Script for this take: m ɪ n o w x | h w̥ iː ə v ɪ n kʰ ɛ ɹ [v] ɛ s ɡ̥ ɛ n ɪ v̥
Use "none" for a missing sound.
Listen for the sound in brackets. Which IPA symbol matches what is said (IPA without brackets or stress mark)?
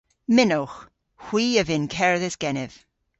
ð